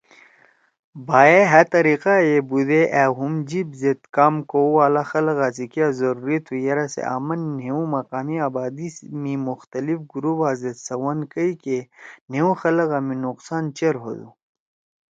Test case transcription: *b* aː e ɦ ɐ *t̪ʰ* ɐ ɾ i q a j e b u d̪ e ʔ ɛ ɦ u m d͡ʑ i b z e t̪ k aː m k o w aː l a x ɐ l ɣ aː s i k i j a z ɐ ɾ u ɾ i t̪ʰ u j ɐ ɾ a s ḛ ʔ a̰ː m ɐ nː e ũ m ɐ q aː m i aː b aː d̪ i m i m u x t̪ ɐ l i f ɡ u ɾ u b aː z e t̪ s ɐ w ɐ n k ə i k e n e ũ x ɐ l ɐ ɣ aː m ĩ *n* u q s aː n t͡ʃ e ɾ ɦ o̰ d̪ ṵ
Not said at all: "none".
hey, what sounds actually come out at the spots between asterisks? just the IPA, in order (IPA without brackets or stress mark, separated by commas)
b, t̪, n